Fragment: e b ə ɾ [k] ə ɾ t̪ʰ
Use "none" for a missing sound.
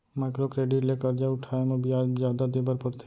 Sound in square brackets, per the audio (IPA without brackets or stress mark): p